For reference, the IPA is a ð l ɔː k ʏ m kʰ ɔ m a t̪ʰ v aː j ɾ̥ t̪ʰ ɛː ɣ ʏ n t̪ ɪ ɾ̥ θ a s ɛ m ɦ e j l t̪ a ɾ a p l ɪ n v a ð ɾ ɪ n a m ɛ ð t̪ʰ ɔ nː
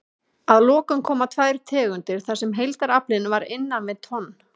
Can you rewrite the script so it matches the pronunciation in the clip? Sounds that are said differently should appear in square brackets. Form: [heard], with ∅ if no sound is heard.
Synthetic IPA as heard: a ð l ɔː k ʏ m kʰ [ɔː] m a t̪ʰ v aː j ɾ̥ t̪ʰ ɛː ɣ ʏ n t̪ ɪ ɾ̥ θ a s ɛ m ɦ e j l t̪ a ɾ a p l ɪ n v a [∅] ɾ ɪ [nː] a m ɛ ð t̪ʰ ɔ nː